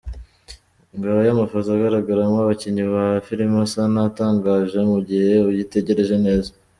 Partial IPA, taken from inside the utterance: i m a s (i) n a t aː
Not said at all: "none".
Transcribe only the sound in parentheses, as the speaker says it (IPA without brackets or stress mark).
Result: a